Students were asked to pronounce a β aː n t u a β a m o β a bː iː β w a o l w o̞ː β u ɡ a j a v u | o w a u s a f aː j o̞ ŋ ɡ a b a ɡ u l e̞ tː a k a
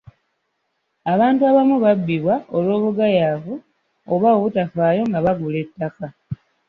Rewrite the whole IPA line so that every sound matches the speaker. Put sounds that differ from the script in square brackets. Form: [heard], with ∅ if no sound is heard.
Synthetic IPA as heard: a β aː n t u a β a m [u] β a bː [i] β w a o l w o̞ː β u ɡ a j a v u | o [β] a u [t] a f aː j o̞ ŋ ɡ a [β] a ɡ u l e̞ tː a k a